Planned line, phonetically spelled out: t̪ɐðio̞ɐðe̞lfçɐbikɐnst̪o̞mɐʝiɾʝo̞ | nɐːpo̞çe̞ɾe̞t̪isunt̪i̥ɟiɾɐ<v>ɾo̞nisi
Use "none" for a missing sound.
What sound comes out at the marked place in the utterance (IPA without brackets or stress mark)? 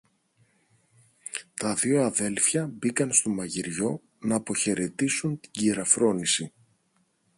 f